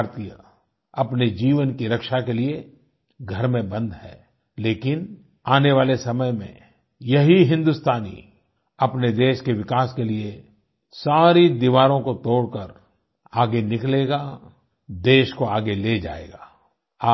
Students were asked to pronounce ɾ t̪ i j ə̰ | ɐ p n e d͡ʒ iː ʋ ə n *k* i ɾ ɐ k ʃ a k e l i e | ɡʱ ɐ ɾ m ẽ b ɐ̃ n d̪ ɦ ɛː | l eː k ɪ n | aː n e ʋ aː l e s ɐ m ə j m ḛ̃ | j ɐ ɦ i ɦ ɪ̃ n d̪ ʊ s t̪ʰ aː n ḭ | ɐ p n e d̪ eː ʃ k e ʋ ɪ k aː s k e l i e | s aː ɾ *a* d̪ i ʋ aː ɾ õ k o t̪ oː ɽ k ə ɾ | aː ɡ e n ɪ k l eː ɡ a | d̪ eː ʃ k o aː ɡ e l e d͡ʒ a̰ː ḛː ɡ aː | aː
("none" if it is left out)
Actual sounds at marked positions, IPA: k, i

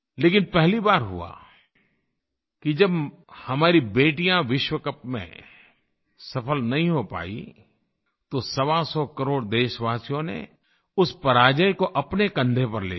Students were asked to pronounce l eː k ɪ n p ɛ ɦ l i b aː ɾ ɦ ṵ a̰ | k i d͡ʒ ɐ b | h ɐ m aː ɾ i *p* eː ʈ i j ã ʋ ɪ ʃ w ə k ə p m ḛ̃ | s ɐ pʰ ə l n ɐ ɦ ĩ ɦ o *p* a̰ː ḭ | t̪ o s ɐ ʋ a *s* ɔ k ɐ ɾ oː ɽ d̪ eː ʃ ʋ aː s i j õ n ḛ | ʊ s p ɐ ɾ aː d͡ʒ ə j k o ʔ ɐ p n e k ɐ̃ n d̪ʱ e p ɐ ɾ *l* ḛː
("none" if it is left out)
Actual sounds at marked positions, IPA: b, p, s, l

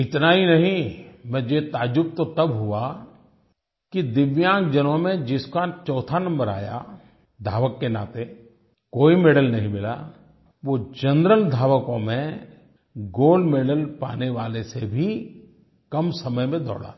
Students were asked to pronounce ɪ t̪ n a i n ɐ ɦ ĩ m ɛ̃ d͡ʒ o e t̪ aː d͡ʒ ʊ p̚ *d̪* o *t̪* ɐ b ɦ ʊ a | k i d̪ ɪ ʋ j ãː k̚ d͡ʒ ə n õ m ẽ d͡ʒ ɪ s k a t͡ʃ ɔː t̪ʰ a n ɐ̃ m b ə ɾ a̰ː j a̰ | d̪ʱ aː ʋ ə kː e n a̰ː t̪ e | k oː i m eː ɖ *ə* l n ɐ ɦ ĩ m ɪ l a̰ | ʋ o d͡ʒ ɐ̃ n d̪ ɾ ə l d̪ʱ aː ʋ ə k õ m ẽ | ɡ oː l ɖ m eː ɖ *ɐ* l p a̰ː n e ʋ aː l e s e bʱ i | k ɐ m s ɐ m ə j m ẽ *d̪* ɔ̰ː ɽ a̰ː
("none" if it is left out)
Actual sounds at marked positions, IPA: t̪, t̪, ə, ə, d̪

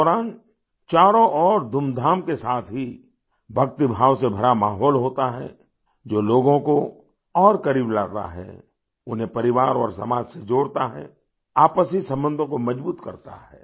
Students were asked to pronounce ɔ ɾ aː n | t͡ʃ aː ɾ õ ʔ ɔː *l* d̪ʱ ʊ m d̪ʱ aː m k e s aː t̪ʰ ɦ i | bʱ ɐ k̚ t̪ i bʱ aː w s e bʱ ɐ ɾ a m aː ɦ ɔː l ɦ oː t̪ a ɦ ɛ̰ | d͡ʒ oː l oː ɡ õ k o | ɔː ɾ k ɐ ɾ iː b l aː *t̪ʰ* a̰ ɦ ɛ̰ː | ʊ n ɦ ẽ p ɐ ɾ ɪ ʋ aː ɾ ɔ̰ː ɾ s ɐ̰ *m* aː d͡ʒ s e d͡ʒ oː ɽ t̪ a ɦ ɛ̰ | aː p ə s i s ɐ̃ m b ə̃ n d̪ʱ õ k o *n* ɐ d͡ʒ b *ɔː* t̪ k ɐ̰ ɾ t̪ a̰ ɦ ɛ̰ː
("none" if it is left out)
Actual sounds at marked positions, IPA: ɾ, t̪, m, m, uː

